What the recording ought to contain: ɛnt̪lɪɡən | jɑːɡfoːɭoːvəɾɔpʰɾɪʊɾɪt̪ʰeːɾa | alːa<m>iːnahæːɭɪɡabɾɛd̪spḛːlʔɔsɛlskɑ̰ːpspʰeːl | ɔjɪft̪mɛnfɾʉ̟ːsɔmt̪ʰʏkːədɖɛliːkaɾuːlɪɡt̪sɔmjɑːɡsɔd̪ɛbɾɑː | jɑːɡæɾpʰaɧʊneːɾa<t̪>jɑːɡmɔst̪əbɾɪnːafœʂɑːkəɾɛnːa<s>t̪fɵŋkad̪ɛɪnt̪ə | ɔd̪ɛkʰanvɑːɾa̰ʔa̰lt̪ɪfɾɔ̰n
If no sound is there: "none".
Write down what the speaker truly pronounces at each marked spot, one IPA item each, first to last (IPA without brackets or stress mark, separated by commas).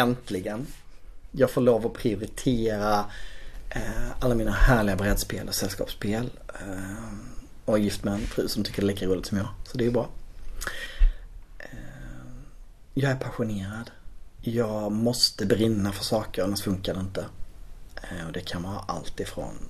m, d̪, s